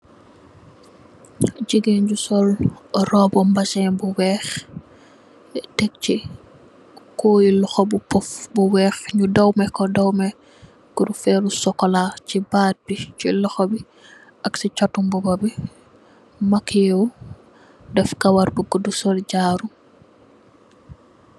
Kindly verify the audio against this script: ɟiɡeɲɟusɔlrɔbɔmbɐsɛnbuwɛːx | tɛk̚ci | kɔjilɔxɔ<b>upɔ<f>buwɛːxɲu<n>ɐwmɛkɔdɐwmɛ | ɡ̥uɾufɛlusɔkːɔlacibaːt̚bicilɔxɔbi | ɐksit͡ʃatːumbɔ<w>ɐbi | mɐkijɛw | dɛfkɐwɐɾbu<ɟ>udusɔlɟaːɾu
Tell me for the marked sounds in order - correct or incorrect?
correct, correct, incorrect: d, incorrect: b, incorrect: ɡ

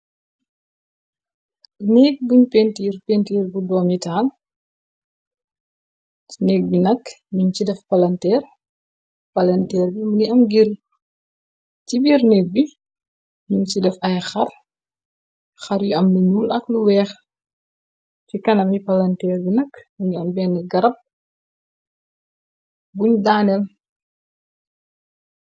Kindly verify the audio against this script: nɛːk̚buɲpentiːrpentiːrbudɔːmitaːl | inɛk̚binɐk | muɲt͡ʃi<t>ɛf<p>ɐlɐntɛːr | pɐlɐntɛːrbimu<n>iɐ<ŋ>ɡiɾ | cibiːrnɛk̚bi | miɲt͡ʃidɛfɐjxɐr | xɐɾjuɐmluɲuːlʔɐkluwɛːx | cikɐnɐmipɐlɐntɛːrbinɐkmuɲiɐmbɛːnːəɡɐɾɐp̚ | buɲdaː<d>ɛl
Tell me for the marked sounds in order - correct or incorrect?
incorrect: d, correct, correct, incorrect: m, incorrect: n

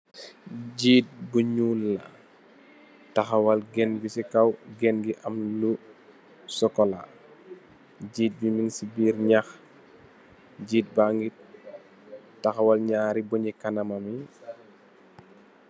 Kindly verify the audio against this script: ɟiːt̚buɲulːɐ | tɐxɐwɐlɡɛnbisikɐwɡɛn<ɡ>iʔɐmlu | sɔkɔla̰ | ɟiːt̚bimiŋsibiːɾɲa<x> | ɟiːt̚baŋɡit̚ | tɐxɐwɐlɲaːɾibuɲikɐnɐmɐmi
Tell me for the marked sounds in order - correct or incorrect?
correct, correct

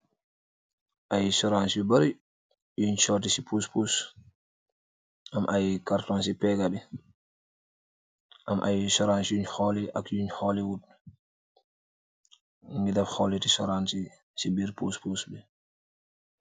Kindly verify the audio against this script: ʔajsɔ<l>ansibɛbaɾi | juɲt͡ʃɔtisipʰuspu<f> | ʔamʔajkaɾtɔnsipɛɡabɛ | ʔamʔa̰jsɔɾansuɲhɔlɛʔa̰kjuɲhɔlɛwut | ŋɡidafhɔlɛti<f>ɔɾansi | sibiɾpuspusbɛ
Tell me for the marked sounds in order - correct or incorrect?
incorrect: ɾ, incorrect: s, incorrect: s

